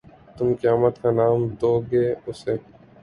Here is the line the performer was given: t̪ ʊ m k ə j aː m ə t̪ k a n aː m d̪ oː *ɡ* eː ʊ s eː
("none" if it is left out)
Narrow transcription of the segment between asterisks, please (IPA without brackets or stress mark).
ɡ